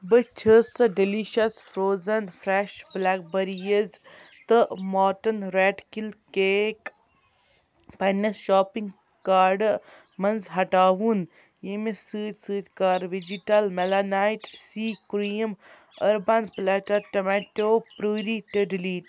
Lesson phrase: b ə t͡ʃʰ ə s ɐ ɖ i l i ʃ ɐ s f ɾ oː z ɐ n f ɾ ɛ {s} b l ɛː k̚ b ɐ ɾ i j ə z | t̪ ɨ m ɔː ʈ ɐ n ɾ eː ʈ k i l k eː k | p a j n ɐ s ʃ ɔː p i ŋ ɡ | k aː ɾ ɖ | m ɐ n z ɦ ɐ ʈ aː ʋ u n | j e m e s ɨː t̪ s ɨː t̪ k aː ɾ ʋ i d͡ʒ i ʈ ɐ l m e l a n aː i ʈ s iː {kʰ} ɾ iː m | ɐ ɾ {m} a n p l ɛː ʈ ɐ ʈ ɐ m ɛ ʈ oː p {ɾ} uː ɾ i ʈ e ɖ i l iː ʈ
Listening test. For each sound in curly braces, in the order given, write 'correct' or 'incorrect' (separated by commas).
incorrect, incorrect, incorrect, correct